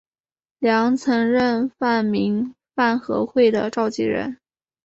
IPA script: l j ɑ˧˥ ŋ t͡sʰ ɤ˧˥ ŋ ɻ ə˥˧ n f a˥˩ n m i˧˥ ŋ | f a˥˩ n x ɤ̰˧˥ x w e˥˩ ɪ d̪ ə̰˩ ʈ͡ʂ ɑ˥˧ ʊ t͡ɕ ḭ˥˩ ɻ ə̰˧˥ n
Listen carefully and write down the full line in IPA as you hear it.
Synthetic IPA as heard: l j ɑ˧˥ ŋ t͡sʰ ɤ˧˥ ŋ ɻ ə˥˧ n f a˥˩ n m i˧˥ ŋ | f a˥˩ n x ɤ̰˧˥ x w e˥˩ ɪ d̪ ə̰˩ ʈ͡ʂ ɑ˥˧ ʊ t͡ɕ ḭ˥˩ ɻ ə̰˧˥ n